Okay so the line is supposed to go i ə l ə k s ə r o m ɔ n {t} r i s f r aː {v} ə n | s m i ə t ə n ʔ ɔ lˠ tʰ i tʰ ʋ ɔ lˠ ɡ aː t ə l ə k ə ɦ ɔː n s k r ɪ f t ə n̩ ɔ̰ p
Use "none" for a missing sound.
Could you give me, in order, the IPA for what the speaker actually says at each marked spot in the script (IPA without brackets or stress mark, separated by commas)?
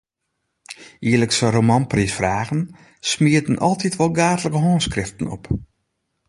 p, ɣ